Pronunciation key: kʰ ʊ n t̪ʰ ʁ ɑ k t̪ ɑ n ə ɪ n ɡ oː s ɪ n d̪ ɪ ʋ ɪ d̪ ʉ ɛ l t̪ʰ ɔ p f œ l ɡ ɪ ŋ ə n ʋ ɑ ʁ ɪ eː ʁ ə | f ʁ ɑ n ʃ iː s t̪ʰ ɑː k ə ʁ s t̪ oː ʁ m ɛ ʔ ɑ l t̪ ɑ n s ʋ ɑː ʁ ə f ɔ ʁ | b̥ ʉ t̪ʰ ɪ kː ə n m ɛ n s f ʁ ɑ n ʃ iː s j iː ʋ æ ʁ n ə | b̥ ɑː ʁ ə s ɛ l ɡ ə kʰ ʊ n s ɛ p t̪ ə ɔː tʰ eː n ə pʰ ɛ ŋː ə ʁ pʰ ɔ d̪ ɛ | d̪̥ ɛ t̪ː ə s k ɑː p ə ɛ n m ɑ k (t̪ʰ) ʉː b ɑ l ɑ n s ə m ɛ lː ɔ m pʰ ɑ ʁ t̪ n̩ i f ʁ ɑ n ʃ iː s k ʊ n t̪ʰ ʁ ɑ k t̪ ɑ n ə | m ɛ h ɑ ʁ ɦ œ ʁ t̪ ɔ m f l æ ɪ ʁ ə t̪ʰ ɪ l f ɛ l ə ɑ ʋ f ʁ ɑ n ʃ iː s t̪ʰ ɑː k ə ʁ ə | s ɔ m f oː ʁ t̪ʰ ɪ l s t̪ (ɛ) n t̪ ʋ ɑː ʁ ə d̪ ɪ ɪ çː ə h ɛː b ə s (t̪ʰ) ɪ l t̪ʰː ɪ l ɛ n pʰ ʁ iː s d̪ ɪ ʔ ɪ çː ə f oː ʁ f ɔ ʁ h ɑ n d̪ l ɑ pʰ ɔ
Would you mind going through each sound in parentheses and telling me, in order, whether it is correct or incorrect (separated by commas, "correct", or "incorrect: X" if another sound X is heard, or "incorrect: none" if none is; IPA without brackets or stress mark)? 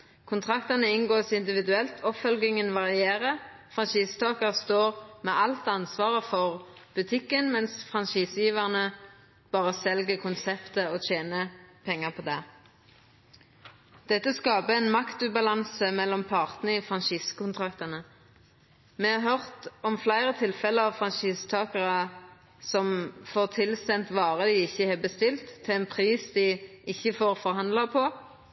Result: incorrect: t̪, correct, incorrect: t̪